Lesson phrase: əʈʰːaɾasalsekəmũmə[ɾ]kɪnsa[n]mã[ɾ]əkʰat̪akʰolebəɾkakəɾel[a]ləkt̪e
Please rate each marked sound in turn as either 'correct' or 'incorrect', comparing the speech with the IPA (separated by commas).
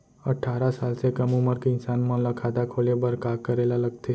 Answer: correct, correct, incorrect, correct